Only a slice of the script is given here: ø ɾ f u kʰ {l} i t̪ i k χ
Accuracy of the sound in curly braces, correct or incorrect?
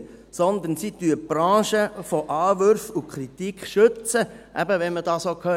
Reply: incorrect